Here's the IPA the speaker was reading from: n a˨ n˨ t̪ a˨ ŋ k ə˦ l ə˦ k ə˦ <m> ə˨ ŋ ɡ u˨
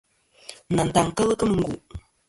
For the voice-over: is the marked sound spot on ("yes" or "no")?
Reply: yes